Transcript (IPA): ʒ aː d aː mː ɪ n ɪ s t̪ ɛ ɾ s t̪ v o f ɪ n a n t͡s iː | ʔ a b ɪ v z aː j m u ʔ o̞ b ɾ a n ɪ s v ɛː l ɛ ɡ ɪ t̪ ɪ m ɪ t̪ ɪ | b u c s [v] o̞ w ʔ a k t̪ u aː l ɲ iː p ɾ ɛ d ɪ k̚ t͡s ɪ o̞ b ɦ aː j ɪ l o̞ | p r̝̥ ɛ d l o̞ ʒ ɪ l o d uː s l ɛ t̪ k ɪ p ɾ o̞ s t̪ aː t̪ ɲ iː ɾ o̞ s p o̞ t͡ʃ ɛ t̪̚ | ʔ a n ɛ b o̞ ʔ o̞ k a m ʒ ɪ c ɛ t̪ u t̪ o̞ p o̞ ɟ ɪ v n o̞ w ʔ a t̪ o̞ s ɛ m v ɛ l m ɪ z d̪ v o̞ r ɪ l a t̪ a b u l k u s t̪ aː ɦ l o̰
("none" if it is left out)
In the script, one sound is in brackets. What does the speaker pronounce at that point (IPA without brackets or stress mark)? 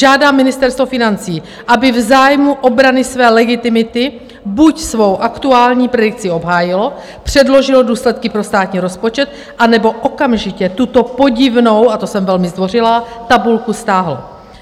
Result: v